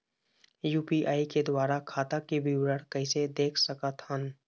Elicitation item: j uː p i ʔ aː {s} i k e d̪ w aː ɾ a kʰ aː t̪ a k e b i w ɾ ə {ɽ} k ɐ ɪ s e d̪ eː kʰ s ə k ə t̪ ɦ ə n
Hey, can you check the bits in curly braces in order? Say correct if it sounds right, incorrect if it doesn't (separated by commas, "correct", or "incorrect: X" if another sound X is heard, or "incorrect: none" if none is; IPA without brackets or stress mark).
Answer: incorrect: none, correct